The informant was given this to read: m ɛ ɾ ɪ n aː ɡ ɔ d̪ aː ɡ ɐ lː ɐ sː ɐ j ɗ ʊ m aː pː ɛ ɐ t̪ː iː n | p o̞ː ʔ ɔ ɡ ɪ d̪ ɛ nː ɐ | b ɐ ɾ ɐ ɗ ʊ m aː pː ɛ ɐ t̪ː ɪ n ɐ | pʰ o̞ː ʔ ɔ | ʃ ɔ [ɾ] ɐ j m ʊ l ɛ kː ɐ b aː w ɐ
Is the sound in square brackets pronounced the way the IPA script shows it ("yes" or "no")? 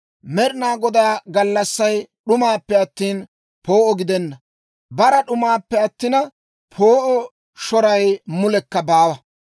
yes